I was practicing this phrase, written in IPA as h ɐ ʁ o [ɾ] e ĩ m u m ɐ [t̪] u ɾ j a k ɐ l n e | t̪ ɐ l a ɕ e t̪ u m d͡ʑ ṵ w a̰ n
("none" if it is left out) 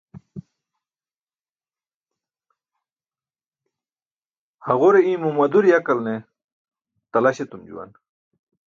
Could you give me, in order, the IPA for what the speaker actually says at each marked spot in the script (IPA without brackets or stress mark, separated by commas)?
ɾ, d̪